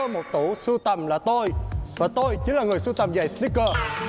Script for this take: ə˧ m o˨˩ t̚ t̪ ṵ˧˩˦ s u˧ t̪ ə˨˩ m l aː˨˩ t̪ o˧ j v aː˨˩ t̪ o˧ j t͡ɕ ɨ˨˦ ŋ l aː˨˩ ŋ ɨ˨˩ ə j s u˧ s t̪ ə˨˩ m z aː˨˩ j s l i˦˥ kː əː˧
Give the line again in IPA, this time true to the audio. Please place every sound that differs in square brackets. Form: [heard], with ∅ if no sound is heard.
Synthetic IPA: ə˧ m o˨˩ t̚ t̪ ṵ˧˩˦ s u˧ t̪ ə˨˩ m l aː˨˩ t̪ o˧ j v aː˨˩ t̪ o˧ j t͡ɕ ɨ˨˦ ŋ l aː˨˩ ŋ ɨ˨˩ ə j s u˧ [∅] t̪ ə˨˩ m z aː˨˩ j s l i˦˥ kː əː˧